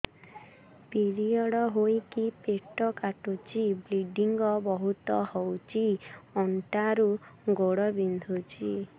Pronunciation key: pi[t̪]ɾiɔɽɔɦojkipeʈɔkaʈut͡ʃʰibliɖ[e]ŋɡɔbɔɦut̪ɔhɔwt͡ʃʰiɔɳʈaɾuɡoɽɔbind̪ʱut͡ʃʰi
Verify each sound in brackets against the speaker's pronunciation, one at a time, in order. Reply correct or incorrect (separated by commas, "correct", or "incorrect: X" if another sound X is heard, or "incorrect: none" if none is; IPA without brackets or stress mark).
incorrect: none, incorrect: i